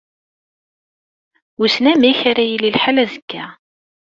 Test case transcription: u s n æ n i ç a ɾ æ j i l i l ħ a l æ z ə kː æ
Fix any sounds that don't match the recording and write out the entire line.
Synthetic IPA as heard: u s n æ m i ç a ɾ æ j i l i l ħ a l æ z ə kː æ